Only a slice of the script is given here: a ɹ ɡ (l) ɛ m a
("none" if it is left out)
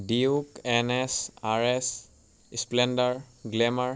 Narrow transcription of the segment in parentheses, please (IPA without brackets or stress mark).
l